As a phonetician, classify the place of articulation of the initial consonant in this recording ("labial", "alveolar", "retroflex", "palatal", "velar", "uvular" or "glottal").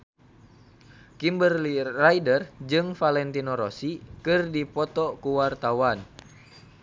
velar